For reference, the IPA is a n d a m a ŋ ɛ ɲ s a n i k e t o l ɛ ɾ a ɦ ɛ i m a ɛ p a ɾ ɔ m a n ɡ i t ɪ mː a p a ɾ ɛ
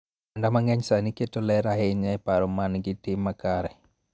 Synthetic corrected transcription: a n d a m a ŋ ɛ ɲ s a n i k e t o l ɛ ɾ a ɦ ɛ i ɲ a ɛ p a ɾ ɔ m a n ɡ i t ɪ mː a k a ɾ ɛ